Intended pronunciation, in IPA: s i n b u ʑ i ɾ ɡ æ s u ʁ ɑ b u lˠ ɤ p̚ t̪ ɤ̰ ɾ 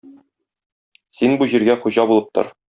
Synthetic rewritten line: s i n b u ʑ i ɾ ɡ æ χ u ʑ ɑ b u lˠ ɤ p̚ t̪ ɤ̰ ɾ